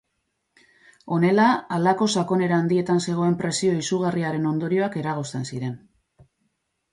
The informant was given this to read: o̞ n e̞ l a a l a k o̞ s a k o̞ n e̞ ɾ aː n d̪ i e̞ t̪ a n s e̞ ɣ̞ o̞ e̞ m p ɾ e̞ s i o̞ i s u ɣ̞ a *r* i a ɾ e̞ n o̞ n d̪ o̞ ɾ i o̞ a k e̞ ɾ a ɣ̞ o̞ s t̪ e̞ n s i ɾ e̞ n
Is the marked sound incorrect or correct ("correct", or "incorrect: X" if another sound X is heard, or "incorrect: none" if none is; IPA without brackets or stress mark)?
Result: correct